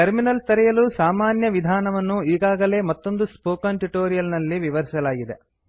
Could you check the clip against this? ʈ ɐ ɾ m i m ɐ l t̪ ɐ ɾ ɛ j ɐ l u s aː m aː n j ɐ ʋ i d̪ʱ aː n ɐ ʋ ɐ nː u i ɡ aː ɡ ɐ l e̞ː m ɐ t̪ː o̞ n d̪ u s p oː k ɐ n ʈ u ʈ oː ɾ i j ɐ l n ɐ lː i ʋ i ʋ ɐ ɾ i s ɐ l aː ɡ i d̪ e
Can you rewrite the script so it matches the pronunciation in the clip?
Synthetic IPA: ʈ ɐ ɾ m i n ɐ l t̪ ɐ ɾ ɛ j ɐ l u s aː m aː n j ɐ ʋ i d̪ʱ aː n ɐ ʋ ɐ nː u iː ɡ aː ɡ ɐ l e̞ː m ɐ t̪ː o̞ n d̪ u s p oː k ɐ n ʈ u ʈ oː ɾ i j ɐ l n ɐ lː i ʋ i ʋ ɐ ɾ i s ɐ l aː ɡ i d̪ e

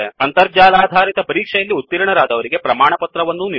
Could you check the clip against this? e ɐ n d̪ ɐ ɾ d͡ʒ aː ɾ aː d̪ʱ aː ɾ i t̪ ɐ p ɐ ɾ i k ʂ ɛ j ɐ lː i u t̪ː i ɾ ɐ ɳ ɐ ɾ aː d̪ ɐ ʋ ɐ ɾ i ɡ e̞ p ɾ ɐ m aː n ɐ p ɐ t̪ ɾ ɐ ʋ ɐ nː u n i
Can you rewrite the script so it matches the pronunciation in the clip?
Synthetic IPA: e ɐ n t̪ ɐ ɾ d͡ʒ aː l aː d̪ʱ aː ɾ i t̪ ɐ p ɐ ɾ iː k ʂ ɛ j ɐ lː i u t̪ː i ɾ ɐ ɳ ɐ ɾ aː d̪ ɐ ʋ ɐ ɾ i ɡ e̞ p ɾ ɐ m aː ɳ ɐ p ɐ t̪ ɾ ɐ ʋ ɐ nː u n i

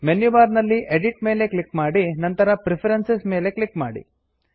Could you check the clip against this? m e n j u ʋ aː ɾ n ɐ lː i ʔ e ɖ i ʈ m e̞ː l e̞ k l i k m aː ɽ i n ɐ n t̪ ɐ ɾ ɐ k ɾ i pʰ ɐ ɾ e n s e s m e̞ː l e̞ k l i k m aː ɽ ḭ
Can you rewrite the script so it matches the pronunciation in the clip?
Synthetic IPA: m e n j u ʋ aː ɾ n ɐ lː i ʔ e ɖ i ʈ m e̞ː l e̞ k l i k m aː ɽ i n ɐ n t̪ ɐ ɾ ɐ p ɾ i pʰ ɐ ɾ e n s e s m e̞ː l e̞ k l i k m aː ɽ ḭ

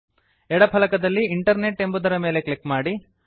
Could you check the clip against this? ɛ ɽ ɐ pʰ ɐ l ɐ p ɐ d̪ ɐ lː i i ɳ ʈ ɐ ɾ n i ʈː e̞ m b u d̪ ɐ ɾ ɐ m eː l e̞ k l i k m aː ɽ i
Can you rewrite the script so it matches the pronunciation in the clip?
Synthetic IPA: ɛ ɽ ɐ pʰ ɐ l ɐ k ɐ d̪ ɐ lː i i ɳ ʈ ɐ ɾ n e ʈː e̞ m b u d̪ ɐ ɾ ɐ m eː l e̞ k l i k m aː ɽ i

